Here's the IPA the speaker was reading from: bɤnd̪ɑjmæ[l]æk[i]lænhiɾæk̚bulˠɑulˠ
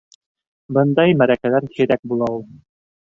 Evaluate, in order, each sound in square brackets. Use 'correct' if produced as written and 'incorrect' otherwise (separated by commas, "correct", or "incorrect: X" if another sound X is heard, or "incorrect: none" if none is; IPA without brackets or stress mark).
incorrect: ɾ, incorrect: æ